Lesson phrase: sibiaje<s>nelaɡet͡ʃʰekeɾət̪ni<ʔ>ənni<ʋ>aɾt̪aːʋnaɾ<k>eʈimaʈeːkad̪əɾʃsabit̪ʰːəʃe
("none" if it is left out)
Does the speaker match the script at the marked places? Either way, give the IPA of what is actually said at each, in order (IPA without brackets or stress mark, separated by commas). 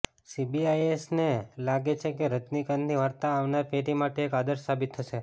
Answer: s, k, ʋ, p